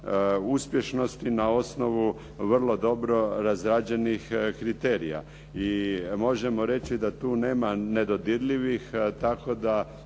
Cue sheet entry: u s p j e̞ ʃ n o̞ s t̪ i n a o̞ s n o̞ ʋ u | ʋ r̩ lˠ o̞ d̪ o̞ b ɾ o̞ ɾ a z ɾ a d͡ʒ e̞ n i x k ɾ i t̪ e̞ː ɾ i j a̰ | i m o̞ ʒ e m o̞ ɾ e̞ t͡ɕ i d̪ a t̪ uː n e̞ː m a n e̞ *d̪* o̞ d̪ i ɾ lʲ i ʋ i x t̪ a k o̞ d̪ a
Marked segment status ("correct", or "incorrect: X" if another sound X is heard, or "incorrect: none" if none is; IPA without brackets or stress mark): correct